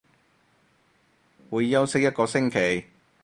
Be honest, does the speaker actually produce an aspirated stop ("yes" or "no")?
yes